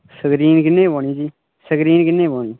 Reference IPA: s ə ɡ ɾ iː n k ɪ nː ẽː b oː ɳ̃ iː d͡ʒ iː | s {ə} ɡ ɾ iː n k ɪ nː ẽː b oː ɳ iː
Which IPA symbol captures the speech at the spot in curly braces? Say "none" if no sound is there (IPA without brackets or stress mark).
ə